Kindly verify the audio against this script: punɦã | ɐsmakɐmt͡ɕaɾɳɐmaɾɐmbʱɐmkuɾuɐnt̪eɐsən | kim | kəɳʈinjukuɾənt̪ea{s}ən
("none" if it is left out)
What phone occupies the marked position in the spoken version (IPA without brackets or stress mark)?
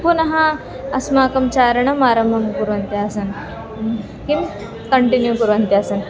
s